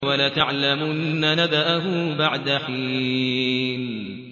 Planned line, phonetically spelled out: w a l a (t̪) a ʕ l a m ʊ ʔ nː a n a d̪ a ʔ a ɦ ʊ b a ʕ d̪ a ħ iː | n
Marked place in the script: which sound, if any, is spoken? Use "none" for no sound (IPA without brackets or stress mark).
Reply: t̪